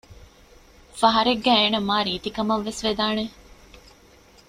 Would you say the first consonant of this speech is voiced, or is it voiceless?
voiceless